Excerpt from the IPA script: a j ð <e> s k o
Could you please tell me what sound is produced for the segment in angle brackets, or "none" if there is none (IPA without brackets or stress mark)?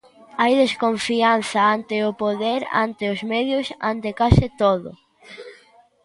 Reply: e